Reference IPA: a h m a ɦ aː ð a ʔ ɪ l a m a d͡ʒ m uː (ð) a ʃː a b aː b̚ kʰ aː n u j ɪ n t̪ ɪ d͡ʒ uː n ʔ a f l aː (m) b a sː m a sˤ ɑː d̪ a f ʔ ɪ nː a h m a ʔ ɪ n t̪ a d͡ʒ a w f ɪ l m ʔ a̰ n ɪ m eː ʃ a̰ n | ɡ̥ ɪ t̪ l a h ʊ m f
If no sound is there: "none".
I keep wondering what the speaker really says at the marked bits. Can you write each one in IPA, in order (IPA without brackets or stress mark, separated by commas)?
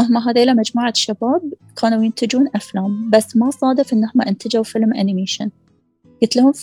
ʕ, m